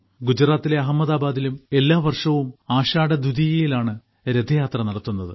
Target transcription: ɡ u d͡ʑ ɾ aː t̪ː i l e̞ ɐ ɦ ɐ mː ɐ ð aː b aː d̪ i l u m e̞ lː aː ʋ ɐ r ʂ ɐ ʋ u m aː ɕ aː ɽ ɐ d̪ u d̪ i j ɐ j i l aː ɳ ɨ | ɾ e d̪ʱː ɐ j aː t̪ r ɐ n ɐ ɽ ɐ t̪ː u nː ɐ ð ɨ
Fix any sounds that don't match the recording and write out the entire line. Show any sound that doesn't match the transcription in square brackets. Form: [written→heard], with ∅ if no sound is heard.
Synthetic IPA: ɡ u d͡ʑ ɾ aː t̪ː i l e̞ ɐ ɦ ɐ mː ɐ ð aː b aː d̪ i l u m e̞ lː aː ʋ ɐ r ʂ ɐ ʋ u m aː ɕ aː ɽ ɐ d̪ u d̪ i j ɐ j i l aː ɳ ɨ | ɾ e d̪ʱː ɐ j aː t̪ r ɐ n ɐ ɽ ɐ t̪ː u nː ɐ ð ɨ